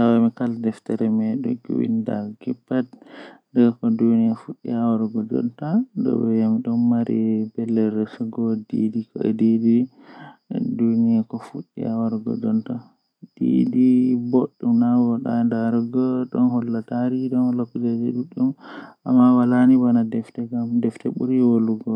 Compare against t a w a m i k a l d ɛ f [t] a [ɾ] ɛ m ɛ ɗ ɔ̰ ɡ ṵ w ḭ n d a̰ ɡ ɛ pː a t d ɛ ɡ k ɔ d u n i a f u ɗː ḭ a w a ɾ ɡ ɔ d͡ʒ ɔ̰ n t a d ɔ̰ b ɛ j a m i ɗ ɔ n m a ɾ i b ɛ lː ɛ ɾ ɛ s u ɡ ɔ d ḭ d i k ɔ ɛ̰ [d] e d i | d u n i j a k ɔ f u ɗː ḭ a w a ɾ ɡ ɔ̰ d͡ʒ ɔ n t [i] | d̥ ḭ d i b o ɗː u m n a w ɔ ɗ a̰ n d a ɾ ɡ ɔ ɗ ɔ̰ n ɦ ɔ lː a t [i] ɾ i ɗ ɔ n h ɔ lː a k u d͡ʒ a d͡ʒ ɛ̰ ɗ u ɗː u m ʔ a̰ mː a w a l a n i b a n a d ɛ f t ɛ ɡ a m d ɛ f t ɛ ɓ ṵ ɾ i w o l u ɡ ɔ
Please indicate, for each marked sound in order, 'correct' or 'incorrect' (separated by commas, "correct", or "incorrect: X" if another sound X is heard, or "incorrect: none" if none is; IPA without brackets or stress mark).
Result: correct, correct, correct, incorrect: a, incorrect: a